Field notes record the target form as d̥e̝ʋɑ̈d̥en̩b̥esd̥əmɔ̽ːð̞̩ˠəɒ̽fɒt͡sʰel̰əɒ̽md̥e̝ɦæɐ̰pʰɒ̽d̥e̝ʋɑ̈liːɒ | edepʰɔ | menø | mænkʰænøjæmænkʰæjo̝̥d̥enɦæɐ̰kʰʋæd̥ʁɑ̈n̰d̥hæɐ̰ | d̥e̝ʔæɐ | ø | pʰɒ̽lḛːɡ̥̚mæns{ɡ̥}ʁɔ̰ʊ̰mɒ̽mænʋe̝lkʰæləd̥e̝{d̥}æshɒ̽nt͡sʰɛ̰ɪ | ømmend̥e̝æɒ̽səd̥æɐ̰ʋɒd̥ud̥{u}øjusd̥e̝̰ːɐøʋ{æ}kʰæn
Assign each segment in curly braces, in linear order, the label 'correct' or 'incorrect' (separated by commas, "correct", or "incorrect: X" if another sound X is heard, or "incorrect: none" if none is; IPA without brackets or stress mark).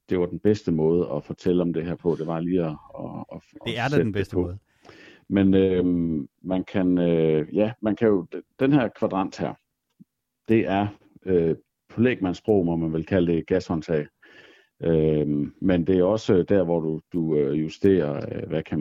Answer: incorrect: b̥, incorrect: ɡ̥, correct, correct